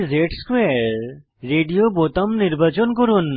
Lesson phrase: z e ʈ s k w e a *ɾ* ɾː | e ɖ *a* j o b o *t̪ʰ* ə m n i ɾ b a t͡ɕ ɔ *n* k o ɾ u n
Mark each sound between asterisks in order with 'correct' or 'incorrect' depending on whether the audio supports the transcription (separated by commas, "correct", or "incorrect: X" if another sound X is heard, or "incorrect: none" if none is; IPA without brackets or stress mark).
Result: correct, incorrect: i, incorrect: t̪, correct